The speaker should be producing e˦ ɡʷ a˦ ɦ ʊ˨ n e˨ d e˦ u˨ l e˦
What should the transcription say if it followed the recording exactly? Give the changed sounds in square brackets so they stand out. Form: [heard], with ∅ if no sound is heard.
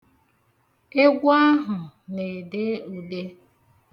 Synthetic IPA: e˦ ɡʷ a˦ ɦ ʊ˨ n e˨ d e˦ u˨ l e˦